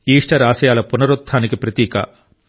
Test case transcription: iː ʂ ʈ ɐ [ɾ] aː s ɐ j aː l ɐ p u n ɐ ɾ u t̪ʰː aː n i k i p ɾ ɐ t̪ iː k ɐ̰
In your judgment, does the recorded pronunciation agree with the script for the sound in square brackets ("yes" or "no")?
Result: yes